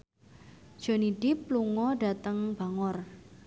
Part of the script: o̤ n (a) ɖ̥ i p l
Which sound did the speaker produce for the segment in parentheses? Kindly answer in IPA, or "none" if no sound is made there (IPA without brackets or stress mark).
i